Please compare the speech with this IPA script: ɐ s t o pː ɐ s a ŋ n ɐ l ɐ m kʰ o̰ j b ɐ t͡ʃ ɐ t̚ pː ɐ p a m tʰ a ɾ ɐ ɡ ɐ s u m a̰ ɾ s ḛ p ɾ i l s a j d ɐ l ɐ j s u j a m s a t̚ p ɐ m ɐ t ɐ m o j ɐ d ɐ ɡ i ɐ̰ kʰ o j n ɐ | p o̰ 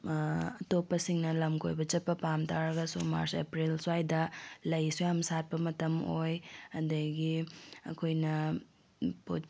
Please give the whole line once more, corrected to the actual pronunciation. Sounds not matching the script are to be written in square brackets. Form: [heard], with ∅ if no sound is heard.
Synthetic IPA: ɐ [∅] t o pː ɐ s [i] ŋ n ɐ l ɐ m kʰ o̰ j b ɐ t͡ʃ ɐ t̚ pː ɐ p a m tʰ a ɾ ɐ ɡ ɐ s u m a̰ ɾ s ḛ p ɾ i l s a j d ɐ l ɐ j s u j a m s a t̚ p ɐ m ɐ t ɐ m o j ɐ d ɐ ɡ i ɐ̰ kʰ o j n ɐ | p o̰